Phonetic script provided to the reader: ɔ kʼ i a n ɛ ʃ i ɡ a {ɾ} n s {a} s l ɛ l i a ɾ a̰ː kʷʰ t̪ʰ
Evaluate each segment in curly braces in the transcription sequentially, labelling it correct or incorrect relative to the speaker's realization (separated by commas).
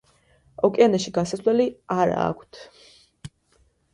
incorrect, correct